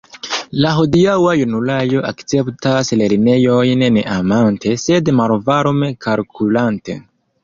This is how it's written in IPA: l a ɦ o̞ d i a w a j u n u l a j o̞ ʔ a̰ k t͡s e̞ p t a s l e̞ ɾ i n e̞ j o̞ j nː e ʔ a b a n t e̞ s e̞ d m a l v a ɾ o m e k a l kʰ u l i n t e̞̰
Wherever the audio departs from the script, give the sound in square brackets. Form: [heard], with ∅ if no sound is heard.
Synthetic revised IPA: l a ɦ o̞ d i a w a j u n u l a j o̞ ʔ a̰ k t͡s e̞ p t a s l e̞ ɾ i n e̞ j o̞ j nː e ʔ a [m] a n t e̞ s e̞ d m a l v a ɾ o m e k a l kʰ u l [a] n t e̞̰